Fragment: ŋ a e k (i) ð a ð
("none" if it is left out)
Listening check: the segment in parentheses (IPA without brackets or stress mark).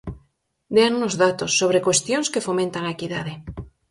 i